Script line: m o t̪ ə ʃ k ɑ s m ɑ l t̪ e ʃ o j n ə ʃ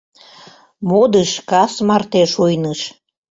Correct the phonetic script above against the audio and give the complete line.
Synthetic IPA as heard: m o d̪ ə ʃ k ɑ s m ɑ r t̪ e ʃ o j n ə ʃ